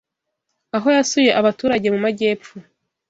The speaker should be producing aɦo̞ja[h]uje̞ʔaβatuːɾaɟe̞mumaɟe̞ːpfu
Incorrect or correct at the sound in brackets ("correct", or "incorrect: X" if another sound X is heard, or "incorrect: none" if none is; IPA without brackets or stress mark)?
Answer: incorrect: s